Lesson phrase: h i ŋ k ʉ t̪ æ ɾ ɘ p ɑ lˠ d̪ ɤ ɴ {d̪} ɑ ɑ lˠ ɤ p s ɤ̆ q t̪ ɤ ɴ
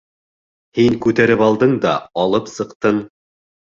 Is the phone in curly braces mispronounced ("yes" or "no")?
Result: no